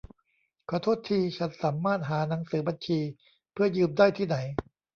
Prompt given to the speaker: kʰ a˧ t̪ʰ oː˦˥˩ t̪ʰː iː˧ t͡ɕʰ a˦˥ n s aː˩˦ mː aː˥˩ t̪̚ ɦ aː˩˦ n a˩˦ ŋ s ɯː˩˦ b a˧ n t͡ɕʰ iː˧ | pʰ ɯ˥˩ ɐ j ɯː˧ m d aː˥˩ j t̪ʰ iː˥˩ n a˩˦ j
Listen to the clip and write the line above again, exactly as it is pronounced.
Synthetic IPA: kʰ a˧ t̪ʰ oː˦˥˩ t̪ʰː iː˧ t͡ɕʰ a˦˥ n s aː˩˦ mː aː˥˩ t̪̚ ɦ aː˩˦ n a˩˦ ŋ s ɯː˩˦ b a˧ n t͡ɕʰ iː˧ | pʰ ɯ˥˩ ɐ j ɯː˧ m d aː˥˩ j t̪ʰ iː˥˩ n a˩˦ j